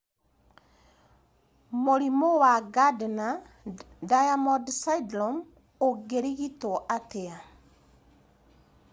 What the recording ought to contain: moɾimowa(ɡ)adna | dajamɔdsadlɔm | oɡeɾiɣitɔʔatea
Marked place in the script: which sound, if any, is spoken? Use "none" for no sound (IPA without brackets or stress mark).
ɡ